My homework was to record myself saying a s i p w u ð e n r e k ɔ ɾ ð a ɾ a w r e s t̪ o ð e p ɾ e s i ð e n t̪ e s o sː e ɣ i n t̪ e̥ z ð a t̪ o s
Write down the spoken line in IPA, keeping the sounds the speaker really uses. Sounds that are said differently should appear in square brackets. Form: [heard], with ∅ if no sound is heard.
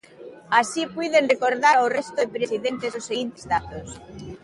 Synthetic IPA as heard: a s i p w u ð e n r e k [o] ɾ ð a ɾ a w r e s t̪ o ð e p ɾ e s i ð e n t̪ e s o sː e ɣ i n t̪ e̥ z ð a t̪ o s